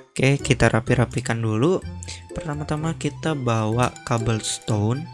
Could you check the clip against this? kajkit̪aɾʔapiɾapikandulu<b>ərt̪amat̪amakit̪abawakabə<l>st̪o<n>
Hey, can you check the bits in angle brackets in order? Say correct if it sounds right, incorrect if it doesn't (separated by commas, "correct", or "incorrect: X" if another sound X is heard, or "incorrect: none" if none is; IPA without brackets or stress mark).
incorrect: p, correct, correct